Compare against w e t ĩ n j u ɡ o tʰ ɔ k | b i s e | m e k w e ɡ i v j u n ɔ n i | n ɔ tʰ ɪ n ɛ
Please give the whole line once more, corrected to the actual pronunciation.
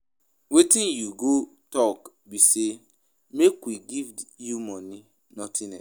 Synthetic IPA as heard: w e t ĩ n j u ɡ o t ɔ k | b i s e | m e k w i ɡ i v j u m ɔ n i | n ɔ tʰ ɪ n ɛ